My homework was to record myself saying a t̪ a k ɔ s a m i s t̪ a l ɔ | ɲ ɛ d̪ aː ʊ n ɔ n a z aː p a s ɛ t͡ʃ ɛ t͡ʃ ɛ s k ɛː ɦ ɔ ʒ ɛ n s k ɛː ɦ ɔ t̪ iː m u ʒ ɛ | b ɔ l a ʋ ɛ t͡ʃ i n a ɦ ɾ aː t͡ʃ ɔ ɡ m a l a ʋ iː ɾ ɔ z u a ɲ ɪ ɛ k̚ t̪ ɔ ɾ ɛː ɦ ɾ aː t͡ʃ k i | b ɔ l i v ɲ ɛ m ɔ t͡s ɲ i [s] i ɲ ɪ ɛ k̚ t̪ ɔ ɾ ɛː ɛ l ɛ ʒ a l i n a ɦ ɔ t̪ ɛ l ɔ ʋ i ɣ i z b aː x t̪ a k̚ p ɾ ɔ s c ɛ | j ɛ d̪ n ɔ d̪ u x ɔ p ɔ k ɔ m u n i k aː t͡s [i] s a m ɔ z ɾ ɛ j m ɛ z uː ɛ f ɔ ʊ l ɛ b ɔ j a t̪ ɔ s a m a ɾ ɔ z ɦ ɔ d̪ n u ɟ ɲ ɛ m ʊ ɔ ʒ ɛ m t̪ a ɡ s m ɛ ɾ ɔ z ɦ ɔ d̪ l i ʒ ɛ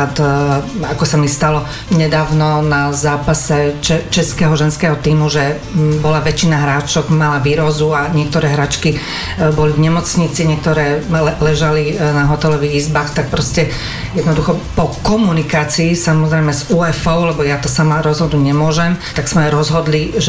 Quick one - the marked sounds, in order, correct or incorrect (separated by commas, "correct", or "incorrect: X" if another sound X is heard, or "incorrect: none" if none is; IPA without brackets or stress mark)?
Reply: incorrect: t͡s, incorrect: iː